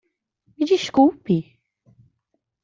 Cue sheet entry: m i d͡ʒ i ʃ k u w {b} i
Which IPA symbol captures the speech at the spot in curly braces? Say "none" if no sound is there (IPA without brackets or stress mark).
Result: p